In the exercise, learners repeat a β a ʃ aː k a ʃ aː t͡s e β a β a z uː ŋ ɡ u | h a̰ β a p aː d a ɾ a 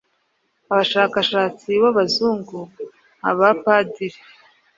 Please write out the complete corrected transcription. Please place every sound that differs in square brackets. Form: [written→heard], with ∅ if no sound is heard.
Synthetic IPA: a β a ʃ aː k a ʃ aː t͡s [e→i] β a β a z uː ŋ ɡ u | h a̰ β a p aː d [a→i] ɾ [a→e]